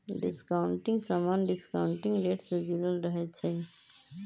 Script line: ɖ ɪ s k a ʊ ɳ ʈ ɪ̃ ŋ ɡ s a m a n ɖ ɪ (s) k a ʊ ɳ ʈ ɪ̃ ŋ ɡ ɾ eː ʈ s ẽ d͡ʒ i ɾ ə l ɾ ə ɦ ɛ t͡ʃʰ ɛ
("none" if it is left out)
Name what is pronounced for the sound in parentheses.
s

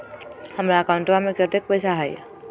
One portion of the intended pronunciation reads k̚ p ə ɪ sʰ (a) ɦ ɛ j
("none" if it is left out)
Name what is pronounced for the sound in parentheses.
a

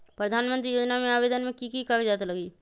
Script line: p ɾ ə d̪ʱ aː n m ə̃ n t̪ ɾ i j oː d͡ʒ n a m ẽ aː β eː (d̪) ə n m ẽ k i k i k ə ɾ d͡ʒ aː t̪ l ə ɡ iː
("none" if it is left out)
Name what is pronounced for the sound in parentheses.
d̪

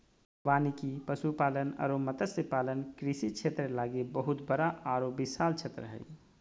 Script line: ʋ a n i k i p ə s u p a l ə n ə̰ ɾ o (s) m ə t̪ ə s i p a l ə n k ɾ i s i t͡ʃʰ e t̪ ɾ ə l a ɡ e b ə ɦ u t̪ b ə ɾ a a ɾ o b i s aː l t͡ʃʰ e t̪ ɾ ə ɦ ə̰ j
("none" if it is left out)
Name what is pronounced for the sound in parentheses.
none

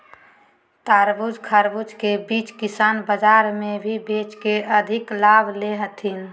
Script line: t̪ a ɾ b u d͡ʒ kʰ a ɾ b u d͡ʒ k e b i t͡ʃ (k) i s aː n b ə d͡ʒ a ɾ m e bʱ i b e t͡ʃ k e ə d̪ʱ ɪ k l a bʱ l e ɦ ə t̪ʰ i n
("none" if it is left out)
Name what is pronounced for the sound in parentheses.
k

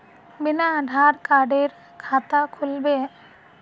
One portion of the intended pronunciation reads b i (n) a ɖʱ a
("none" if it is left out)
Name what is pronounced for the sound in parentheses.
n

